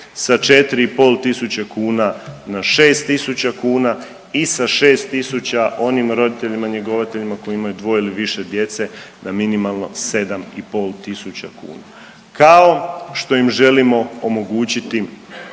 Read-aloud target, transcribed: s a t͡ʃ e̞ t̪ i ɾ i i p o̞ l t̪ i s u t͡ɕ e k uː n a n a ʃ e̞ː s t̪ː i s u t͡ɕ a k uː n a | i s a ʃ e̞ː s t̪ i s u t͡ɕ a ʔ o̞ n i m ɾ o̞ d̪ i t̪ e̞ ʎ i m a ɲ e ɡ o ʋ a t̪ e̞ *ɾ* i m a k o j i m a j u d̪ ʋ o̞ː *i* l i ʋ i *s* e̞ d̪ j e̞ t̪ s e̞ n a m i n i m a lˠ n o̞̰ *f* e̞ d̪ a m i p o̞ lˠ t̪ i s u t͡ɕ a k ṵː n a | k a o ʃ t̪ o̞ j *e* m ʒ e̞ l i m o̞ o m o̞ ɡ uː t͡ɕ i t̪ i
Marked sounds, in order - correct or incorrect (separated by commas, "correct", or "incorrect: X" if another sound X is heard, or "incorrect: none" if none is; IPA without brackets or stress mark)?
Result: incorrect: ʎ, correct, incorrect: ʃ, incorrect: s, incorrect: i